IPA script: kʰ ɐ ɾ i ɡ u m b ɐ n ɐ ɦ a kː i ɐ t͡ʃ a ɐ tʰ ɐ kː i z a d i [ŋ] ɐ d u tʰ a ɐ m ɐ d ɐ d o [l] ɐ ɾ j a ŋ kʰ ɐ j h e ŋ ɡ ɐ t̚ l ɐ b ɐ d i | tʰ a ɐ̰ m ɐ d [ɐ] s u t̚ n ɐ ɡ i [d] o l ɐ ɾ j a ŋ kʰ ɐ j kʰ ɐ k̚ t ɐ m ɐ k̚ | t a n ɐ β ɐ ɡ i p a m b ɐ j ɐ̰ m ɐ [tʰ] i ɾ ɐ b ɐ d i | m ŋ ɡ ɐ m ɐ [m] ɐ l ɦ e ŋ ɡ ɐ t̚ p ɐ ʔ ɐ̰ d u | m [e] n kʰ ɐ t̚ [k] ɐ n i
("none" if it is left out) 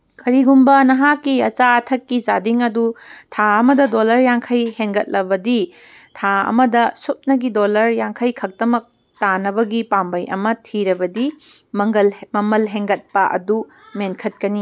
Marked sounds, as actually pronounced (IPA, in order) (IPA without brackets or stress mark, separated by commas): ŋ, l, ɐ, d, tʰ, m, e, k